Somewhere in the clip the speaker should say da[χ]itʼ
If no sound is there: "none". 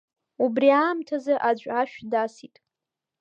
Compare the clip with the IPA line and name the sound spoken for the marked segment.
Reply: s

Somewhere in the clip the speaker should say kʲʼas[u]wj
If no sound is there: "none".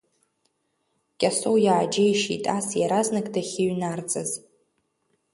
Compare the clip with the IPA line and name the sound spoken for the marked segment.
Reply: o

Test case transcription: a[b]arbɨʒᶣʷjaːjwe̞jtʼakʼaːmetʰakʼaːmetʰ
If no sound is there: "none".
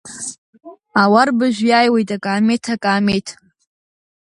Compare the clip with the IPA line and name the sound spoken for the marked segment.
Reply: w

